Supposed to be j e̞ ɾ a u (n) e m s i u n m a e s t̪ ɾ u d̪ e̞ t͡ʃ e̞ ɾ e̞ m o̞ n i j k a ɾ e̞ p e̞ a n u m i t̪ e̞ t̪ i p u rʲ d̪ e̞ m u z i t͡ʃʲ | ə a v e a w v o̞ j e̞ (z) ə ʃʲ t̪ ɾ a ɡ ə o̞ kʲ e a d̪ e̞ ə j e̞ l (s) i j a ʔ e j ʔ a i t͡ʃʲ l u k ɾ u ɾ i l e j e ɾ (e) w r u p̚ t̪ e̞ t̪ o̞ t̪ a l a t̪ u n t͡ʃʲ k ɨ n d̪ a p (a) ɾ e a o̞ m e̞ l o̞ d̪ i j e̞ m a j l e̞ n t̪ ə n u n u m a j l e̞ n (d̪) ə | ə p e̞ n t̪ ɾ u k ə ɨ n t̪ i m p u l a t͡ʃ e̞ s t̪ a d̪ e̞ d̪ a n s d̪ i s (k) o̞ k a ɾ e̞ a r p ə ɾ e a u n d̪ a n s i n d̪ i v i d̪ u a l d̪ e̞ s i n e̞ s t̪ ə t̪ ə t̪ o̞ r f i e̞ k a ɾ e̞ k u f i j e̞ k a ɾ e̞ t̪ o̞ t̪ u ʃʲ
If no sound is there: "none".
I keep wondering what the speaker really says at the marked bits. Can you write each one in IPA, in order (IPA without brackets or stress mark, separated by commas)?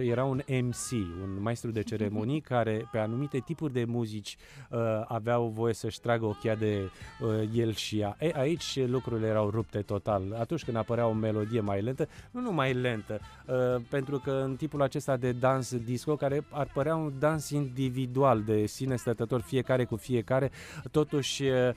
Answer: n, s, ʃ, a, ə, t̪, k